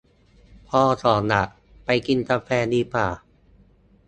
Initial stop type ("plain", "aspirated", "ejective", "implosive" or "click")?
aspirated